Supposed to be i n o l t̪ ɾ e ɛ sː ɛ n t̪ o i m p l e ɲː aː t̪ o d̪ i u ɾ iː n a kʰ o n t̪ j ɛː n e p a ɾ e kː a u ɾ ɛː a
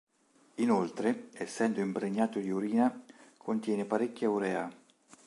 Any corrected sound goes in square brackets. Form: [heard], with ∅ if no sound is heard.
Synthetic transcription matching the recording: i n o l t̪ ɾ e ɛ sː ɛ n [d̪] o i m p [ɾ] e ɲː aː t̪ o d̪ i u ɾ iː n a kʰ o n t̪ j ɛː n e p a ɾ e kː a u ɾ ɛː a